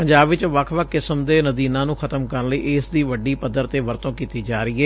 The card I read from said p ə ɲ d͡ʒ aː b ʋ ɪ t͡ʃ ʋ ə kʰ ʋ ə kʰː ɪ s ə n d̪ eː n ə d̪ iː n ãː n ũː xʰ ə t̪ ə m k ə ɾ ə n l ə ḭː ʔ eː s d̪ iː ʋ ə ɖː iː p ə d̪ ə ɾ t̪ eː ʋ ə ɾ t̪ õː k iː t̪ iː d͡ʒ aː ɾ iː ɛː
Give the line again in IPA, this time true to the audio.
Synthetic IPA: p ə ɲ d͡ʒ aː b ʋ ɪ t͡ʃ ʋ ə kʰ ʋ ə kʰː ɪ s ə m d̪ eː n ə d̪ iː n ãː n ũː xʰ ə t̪ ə m k ə ɾ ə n l ə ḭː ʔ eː s d̪ iː ʋ ə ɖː iː p ə d̪ ə ɾ t̪ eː ʋ ə ɾ t̪ õː k iː t̪ iː d͡ʒ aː ɾ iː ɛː